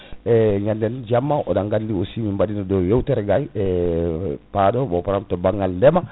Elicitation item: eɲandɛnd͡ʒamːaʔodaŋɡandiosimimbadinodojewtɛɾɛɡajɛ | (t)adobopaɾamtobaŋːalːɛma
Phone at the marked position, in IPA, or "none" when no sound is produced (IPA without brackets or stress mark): p